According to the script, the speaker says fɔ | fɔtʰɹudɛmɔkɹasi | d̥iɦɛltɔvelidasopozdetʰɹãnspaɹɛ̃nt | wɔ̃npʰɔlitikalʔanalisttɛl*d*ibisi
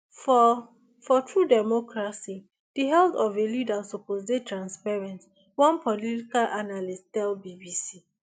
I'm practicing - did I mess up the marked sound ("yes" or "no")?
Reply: yes